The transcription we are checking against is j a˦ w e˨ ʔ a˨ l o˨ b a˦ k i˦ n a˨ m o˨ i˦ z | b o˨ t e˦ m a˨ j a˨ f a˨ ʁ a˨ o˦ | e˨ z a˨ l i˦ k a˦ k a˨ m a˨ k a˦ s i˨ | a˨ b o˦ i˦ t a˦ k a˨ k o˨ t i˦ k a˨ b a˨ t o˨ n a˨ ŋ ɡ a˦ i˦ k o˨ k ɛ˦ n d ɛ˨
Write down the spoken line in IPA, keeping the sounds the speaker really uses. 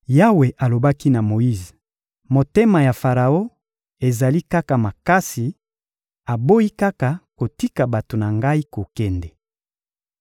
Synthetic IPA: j a˦ w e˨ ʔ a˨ l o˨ b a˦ k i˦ n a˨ m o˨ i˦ z | m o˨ t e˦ m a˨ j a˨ f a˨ ʁ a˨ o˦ | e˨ z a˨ l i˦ k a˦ k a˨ m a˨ k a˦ s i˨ | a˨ b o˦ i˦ k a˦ k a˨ k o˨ t i˦ k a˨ b a˨ t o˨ n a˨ ŋ ɡ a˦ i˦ k o˨ k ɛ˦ n d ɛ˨

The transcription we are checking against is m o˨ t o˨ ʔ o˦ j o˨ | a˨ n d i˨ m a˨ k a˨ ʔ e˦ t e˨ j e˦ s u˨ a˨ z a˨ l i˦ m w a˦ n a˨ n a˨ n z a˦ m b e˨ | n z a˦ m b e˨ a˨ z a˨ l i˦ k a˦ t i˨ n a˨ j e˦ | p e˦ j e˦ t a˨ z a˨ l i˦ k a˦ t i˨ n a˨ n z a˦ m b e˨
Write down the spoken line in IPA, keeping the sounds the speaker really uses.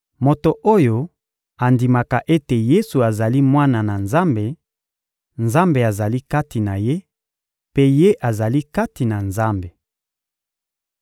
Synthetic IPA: m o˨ t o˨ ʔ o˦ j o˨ | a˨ n d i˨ m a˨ k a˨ ʔ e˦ t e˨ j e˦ s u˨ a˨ z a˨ l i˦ m w a˦ n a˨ n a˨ n z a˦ m b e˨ | n z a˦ m b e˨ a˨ z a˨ l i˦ k a˦ t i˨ n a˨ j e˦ | p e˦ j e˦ ʔ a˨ z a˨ l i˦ k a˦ t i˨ n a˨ n z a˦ m b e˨

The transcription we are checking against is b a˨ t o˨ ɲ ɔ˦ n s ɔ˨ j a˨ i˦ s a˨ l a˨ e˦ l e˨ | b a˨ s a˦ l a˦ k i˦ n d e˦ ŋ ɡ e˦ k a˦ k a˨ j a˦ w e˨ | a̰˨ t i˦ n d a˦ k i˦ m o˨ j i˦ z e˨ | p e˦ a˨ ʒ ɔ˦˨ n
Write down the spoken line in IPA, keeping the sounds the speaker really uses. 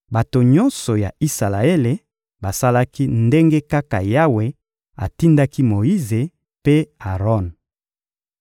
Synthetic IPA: b a˨ t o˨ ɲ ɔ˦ n s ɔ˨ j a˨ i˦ s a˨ l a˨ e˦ l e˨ | b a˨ s a˦ l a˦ k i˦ n d e˦ ŋ ɡ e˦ k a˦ k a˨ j a˦ w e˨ | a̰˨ t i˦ n d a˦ k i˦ m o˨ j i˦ z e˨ | p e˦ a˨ ʁ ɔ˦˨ n

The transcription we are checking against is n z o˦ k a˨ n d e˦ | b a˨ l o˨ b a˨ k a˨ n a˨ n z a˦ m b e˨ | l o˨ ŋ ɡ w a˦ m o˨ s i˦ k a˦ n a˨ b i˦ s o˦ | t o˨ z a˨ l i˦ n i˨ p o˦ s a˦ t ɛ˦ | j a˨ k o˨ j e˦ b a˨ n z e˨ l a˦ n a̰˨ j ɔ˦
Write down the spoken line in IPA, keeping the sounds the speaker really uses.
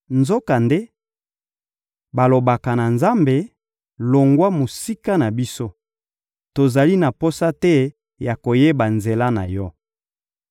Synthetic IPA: n z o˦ k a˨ n d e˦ | b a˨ l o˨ b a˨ k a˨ n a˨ n z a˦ m b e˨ | l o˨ ŋ ɡ w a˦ m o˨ s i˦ k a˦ n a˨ b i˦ s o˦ | t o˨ z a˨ l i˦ n a˨ p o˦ s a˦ t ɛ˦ | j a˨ k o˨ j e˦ b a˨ n z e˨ l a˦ n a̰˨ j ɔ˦

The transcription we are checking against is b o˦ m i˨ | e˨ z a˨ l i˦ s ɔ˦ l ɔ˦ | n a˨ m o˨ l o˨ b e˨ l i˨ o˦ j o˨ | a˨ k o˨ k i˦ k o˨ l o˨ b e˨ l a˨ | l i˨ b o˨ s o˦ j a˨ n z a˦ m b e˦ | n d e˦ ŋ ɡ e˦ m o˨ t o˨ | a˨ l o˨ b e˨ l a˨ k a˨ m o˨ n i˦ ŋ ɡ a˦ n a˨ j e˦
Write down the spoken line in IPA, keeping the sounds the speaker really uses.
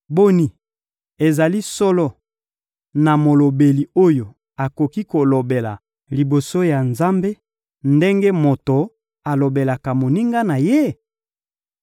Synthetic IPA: b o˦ n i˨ | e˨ z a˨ l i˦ s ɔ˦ l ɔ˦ | n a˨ m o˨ l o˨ b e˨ l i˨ o˦ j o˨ | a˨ k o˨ k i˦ k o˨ l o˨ b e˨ l a˨ | l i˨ b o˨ s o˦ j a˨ n z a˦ m b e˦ | n d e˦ ŋ ɡ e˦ m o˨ t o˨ | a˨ l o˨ b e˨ l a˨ k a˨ m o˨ n i˦ ŋ ɡ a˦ n a˨ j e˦

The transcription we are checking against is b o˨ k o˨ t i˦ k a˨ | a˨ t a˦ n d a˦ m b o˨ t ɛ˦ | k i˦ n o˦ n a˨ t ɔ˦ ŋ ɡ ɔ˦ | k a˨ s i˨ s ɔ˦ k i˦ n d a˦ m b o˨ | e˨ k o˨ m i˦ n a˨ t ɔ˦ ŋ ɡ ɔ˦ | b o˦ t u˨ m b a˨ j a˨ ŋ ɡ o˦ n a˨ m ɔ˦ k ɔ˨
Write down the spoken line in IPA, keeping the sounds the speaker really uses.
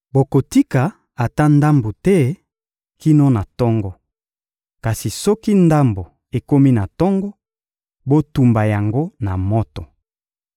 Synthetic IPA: b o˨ k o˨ t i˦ k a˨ | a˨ t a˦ n d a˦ m b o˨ t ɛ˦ | k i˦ n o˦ n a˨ t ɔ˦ ŋ ɡ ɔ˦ | k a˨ s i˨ s ɔ˦ k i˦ n d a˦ m b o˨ | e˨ k o˦ m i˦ n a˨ t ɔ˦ ŋ ɡ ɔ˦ | b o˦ t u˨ m b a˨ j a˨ ŋ ɡ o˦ n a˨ m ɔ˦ t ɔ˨

